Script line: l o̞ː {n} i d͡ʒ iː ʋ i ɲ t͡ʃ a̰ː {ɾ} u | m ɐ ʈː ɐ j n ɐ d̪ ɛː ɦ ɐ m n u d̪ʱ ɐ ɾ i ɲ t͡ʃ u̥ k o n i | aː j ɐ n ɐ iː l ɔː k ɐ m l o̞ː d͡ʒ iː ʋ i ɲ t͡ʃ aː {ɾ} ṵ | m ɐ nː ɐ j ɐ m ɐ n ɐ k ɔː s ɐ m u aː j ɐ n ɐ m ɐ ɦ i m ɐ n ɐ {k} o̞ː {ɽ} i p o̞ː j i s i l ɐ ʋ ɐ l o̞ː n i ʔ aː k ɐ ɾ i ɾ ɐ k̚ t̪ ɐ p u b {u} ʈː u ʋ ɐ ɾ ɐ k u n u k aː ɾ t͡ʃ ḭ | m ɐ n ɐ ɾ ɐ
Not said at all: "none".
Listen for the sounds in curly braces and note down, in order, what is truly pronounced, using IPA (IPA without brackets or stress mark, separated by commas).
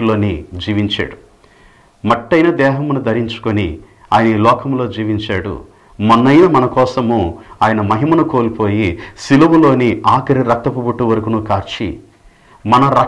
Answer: n, ɽ, ɽ, k, l, u